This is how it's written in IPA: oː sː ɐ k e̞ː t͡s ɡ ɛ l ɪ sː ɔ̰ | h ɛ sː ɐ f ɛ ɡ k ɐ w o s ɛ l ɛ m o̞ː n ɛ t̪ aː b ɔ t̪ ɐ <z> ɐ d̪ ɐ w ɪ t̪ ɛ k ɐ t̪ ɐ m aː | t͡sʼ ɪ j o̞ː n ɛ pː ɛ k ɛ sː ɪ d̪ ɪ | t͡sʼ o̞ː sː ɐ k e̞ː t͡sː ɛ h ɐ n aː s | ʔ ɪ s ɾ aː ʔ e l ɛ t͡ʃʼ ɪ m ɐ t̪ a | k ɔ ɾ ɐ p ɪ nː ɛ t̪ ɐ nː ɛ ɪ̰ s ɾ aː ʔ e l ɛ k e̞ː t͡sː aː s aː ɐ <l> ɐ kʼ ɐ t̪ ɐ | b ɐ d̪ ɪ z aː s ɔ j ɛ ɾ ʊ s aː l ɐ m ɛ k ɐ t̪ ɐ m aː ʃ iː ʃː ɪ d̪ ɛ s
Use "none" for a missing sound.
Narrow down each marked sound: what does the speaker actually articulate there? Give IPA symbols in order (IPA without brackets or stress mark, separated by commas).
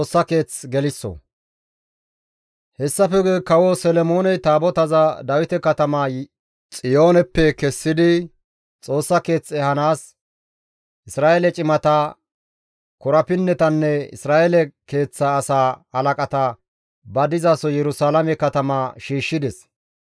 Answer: z, l